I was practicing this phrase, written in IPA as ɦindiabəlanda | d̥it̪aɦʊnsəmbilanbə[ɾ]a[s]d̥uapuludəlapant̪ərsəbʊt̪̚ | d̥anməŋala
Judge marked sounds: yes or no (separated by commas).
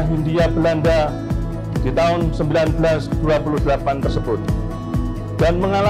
no, yes